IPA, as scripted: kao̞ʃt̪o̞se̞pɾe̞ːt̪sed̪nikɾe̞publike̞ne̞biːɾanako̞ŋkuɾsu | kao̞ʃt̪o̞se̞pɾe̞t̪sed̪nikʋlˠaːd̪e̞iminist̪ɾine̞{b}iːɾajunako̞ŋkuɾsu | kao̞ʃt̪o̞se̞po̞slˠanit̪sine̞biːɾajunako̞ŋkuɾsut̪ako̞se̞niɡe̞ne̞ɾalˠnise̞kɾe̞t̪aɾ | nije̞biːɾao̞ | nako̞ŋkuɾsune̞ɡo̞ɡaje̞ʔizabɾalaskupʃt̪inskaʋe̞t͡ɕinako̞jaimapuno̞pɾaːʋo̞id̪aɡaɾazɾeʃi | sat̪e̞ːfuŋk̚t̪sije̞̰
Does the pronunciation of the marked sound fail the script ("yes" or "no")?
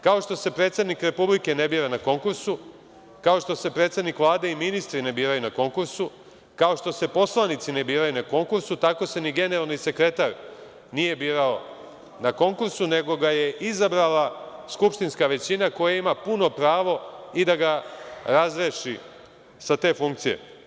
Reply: no